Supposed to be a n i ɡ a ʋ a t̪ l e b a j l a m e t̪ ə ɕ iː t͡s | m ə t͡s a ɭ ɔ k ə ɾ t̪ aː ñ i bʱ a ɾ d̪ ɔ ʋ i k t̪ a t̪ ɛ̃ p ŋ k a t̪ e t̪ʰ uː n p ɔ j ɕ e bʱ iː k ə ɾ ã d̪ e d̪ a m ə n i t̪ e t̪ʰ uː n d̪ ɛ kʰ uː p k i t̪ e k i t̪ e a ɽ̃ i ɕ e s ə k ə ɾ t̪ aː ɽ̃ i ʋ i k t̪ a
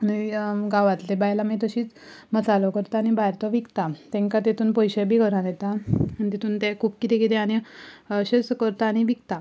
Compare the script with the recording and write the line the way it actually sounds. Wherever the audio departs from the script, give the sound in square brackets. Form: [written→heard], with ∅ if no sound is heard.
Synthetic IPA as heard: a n i ɡ a ʋ a t̪ l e b a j l a m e t̪ ə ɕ iː t͡s | m ə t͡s a [ɭ→l] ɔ k ə ɾ t̪ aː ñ i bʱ a ɾ [d̪→t̪] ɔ ʋ i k t̪ a t̪ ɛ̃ [p→∅] ŋ k a t̪ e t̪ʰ uː n p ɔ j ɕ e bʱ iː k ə ɾ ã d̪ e [d̪→t̪] a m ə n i t̪ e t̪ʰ uː n [d̪→t̪] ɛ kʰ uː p k i t̪ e k i t̪ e a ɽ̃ i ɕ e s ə k ə ɾ t̪ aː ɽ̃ i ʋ i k t̪ a